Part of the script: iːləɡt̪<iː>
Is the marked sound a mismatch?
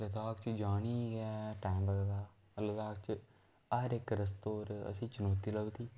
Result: no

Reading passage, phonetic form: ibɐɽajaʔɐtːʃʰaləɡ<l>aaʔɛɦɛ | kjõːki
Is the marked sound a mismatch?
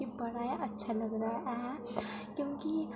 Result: yes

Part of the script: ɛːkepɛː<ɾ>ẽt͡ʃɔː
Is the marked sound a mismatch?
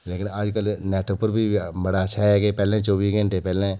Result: yes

